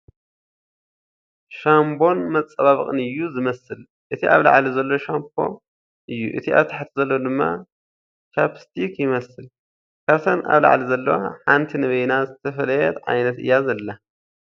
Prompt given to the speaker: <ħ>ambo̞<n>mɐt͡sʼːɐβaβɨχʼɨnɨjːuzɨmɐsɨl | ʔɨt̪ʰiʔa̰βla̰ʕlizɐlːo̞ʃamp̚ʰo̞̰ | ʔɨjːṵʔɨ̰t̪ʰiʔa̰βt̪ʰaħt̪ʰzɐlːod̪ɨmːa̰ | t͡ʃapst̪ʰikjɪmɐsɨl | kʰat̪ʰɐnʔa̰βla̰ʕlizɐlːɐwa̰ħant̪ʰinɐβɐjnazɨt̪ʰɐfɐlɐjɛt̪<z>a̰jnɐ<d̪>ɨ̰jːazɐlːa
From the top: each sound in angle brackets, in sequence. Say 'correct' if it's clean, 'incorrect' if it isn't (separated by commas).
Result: incorrect, correct, incorrect, incorrect